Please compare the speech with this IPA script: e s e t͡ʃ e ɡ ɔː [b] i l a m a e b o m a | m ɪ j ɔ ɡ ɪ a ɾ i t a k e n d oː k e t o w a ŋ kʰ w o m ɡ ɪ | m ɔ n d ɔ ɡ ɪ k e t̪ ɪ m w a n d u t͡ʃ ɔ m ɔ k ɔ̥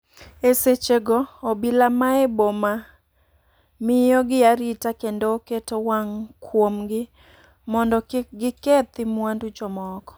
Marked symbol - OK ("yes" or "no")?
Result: yes